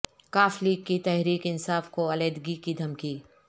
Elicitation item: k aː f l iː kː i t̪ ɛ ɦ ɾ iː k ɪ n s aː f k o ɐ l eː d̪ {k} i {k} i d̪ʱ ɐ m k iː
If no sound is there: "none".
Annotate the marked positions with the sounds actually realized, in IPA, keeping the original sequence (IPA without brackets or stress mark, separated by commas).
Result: ɡ, k